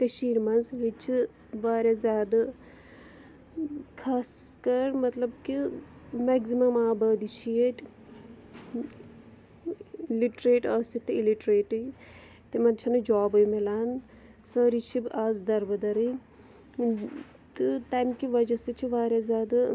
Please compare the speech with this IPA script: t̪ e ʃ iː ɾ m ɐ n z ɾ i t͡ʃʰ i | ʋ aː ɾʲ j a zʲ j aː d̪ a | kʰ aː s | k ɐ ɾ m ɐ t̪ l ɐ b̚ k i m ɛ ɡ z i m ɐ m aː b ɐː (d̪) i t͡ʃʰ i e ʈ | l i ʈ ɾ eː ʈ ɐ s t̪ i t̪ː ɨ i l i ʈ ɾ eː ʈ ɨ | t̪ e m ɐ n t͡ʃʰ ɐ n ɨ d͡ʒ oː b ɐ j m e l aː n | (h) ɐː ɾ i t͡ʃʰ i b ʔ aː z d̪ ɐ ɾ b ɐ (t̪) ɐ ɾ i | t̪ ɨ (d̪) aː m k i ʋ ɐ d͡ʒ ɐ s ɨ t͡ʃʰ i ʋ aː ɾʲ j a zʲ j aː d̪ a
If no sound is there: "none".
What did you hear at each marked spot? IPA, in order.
d̪, s, d̪, t̪

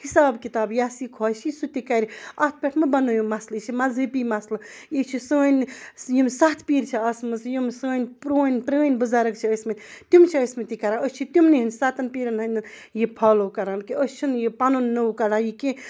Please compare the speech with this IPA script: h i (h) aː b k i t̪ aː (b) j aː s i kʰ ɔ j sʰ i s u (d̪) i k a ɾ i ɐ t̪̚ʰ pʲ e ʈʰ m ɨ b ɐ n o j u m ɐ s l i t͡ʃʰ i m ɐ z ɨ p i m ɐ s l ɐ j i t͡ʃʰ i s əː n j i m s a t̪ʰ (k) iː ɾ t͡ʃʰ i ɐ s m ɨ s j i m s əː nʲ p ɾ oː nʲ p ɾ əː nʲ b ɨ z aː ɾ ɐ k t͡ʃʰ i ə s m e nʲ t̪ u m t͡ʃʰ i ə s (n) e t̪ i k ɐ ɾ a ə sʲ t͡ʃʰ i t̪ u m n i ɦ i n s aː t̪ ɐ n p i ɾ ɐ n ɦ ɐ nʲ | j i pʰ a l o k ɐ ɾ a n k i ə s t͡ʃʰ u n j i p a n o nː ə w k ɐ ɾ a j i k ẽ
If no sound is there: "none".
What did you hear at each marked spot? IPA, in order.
s, b, t̪, p, m

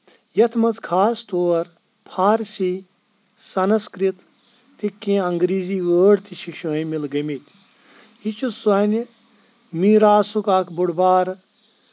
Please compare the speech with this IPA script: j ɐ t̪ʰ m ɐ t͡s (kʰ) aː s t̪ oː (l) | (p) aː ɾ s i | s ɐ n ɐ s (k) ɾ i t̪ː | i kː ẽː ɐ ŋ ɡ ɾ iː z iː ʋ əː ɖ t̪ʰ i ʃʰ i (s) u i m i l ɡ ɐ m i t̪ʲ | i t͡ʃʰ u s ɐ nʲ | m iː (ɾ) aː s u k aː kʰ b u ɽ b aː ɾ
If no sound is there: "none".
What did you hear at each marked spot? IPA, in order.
kʰ, ɾ, pʰ, k, ʃ, ɾ

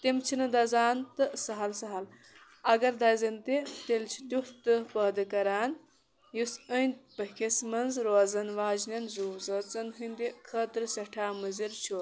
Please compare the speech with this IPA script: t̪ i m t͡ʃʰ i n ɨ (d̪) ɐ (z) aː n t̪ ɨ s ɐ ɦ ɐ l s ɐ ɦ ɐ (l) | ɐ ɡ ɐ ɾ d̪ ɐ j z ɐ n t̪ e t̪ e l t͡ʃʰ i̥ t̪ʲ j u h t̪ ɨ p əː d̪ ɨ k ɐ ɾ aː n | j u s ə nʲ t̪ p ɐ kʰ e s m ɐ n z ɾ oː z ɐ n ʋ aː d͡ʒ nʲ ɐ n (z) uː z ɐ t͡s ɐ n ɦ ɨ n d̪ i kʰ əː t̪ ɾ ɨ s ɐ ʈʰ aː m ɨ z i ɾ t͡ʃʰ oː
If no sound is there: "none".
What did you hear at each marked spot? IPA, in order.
d̪, z, l, z

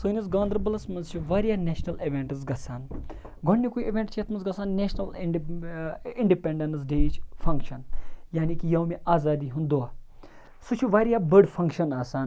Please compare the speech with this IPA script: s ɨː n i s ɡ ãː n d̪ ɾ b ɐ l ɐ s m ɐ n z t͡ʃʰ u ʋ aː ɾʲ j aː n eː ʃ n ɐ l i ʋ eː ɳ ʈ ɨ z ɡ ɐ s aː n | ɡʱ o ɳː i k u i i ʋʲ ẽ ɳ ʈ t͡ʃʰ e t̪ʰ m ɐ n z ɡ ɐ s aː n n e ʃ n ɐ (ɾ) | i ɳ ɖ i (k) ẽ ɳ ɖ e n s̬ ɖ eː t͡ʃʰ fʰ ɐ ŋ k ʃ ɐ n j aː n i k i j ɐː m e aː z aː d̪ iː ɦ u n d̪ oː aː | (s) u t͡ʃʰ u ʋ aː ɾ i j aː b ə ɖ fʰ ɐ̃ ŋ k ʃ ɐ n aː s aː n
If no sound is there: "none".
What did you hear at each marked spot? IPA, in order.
l, p, s

